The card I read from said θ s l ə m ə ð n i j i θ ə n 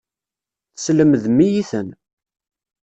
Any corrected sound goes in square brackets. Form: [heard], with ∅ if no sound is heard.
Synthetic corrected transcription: θ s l ə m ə ð [m] i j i θ ə n